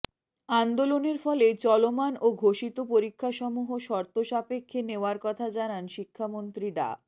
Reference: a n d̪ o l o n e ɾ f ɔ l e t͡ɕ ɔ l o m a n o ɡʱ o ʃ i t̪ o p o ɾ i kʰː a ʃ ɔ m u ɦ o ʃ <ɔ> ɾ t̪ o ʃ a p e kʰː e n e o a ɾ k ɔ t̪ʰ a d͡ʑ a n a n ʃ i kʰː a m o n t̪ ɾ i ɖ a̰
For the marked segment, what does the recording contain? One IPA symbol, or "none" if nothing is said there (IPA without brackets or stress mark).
ɔ